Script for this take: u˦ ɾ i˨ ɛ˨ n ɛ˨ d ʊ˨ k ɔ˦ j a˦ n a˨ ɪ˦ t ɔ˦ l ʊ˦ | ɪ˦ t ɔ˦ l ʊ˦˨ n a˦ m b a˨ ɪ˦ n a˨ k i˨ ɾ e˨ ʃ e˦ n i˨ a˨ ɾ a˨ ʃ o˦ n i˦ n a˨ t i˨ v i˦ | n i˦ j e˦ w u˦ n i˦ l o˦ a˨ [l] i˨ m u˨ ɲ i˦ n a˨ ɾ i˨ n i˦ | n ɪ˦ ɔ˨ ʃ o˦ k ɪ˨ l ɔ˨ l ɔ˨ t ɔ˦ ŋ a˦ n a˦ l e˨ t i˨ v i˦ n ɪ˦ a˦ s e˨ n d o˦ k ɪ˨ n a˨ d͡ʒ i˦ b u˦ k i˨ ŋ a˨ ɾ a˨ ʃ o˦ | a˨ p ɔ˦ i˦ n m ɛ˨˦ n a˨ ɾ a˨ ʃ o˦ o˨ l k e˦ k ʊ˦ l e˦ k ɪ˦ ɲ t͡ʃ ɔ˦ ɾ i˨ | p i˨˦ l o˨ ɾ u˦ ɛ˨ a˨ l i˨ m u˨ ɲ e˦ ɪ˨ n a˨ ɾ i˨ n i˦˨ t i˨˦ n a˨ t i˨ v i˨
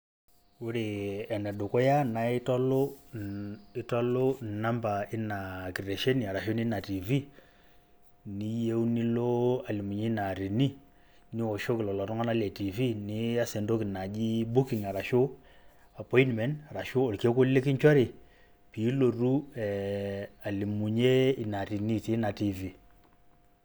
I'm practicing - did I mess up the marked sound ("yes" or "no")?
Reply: no